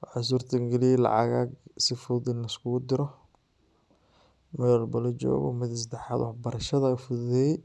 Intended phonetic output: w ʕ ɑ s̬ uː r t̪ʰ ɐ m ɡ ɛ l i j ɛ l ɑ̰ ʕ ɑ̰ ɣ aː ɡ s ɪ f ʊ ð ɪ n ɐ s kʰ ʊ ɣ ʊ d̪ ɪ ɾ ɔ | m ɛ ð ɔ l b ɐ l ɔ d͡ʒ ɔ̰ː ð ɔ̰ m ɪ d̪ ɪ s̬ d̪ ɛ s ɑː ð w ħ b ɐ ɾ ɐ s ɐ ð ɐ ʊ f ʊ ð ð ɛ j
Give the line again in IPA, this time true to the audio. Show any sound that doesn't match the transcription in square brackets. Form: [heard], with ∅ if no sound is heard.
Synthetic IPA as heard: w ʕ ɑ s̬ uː r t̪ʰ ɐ [ŋ] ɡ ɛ l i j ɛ l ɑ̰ ʕ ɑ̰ ɣ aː ɡ s ɪ f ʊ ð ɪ n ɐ s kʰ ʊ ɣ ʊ d̪ ɪ ɾ ɔ | m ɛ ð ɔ l b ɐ l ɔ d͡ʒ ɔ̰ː [ɣ] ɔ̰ m ɪ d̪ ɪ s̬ d̪ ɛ [ħ] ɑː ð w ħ b ɐ ɾ ɐ [ʃ] ɐ ð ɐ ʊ f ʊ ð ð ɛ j